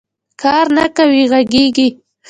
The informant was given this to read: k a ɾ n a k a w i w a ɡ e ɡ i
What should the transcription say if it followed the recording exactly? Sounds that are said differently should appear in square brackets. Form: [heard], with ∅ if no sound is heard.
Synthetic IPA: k [ɑ] ɾ n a k a w i [ɣ] a ɡ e ɡ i